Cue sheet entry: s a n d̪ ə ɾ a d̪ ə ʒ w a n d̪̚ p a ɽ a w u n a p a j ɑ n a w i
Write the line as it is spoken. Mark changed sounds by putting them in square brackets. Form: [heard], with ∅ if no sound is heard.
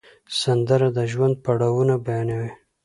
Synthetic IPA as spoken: s a n d̪ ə ɾ a d̪ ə ʒ w a n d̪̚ p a ɽ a w u n a [b] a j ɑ n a w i